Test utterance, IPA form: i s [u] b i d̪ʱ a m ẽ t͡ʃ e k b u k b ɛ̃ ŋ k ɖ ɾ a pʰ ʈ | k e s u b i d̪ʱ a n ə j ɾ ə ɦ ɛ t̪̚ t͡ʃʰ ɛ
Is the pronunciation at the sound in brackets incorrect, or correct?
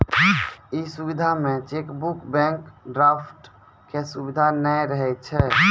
correct